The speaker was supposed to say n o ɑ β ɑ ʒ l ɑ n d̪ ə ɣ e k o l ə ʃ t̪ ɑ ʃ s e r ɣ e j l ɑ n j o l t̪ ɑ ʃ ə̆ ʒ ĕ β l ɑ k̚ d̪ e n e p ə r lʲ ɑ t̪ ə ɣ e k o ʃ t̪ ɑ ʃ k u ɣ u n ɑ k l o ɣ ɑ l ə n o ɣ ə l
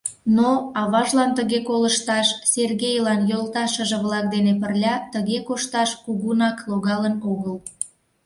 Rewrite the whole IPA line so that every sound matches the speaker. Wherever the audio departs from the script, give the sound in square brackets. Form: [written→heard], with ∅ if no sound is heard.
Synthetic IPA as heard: n o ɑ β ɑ ʒ l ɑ n [d̪→t̪] ə ɣ e k o l ə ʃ t̪ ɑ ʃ s e r ɣ e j l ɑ n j o l t̪ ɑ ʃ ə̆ ʒ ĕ β l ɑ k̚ d̪ e n e p ə r lʲ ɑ t̪ ə ɣ e k o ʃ t̪ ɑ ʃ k u ɣ u n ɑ k l o ɣ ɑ l ə n o ɣ ə l